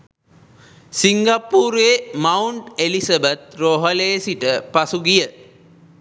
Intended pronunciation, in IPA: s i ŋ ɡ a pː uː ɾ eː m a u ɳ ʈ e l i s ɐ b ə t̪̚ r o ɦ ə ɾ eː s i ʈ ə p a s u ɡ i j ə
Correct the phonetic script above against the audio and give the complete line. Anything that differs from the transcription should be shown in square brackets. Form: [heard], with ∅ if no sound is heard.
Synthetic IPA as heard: s i ŋ ɡ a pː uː ɾ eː m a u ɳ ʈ e l i s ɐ b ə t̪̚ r o ɦ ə [l] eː s i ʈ ə p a s u ɡ i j ə